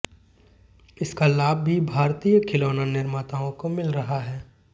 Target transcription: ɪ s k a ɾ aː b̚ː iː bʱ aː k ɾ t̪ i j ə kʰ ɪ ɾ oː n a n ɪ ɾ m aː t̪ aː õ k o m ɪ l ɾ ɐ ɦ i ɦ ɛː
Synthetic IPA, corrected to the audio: ɪ s k a l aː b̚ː i bʱ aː ɾ t̪ i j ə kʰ ɪ l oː n a n ɪ ɾ m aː t̪ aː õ k o m ɪ l ɾ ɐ ɦ a ɦ ɛː